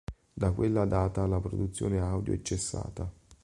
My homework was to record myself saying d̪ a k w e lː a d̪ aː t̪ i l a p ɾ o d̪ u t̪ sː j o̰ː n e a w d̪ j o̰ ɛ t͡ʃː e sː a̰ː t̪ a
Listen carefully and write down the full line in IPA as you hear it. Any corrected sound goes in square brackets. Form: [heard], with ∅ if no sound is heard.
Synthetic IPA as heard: d̪ a k w e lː a d̪ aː t̪ [a] l a p ɾ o d̪ u t̪ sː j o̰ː n e a w d̪ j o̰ ɛ t͡ʃː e sː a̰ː t̪ a